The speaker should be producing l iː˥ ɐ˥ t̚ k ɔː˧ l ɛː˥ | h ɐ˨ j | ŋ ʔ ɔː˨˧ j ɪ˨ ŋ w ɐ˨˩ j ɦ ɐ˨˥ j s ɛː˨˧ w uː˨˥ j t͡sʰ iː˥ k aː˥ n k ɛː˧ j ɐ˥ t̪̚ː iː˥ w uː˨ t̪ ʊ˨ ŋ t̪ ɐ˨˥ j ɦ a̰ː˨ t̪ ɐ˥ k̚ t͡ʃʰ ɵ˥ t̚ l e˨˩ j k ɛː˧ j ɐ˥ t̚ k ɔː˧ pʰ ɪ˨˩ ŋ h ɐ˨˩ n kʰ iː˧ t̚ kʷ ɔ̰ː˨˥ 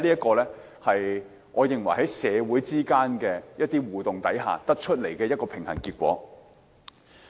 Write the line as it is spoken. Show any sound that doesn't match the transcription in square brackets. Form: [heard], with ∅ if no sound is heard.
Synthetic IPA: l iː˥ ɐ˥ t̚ k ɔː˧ l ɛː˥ | h ɐ˨ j | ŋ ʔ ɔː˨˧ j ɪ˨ ŋ w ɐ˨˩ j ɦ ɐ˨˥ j s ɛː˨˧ w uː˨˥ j [t͡s] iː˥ k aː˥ n k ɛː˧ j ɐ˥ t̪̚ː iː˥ w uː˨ t̪ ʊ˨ ŋ t̪ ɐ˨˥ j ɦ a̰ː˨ t̪ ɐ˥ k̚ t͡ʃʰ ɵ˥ t̚ l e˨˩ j k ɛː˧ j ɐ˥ t̚ k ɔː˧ pʰ ɪ˨˩ ŋ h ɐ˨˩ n [k] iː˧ t̚ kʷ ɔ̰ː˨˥